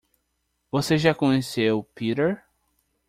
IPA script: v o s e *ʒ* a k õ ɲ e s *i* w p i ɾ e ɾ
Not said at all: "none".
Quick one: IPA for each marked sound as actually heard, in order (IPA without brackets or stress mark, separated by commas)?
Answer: ʒ, e